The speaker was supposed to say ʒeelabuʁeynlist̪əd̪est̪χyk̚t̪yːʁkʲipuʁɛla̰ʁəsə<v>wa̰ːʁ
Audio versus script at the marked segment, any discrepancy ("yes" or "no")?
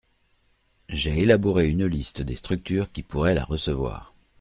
no